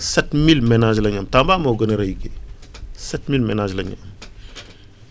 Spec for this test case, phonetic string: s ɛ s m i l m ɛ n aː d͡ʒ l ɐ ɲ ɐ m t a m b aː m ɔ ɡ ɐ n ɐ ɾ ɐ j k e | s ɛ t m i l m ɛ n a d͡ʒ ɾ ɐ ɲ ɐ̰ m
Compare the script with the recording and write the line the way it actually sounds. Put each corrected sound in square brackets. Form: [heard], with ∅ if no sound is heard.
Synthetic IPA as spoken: s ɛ [t] m i l m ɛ n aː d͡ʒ l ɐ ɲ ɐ m t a m b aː m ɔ ɡ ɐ n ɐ ɾ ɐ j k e | s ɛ t m i l m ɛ n a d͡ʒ [l] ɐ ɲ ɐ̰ m